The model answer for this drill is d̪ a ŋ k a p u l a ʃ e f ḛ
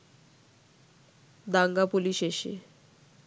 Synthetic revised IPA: d̪ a ŋ ɡ a p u l i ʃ e ʃ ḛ